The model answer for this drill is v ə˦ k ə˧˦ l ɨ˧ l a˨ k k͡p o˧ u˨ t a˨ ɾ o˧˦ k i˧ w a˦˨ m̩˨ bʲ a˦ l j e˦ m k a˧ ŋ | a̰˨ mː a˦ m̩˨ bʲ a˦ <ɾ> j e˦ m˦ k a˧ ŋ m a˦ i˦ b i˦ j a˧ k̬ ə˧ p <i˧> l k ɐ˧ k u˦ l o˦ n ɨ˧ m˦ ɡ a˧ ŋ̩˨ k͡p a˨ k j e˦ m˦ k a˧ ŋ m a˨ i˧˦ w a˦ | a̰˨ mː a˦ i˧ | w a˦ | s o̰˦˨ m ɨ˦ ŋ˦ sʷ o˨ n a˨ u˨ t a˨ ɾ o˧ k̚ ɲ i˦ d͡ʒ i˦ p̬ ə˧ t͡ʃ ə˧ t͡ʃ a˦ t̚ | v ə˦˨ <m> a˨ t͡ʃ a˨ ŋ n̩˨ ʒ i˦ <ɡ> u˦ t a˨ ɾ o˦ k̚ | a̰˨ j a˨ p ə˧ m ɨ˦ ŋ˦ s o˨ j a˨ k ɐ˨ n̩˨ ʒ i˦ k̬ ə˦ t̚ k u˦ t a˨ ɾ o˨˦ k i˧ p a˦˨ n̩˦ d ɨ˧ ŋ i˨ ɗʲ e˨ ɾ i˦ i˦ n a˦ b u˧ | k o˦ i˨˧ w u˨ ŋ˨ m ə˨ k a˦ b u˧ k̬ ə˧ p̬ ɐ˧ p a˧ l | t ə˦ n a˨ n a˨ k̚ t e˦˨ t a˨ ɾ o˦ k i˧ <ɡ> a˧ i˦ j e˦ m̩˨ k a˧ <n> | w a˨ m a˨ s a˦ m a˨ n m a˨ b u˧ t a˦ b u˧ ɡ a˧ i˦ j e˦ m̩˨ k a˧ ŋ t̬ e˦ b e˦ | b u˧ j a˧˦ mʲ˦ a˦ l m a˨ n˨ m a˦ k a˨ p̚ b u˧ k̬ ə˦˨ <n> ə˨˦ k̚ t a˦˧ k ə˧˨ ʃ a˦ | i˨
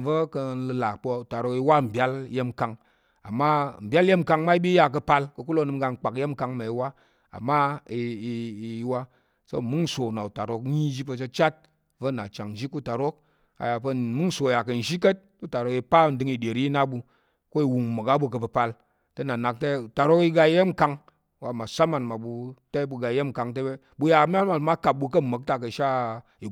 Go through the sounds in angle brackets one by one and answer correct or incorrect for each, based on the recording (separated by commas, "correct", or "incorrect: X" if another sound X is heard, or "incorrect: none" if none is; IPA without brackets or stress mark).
incorrect: l, incorrect: a˧, incorrect: n, incorrect: k, correct, incorrect: ŋ, incorrect: m